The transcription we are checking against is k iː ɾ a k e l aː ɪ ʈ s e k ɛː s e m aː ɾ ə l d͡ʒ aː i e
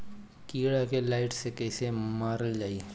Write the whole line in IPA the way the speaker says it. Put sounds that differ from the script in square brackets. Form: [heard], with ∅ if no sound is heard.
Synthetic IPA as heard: k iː [ɽ] a k e l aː ɪ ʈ s e k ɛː s e m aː ɾ ə l d͡ʒ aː i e